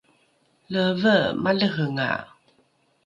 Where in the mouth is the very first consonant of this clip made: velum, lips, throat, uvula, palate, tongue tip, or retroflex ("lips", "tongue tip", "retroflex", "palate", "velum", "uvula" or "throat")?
tongue tip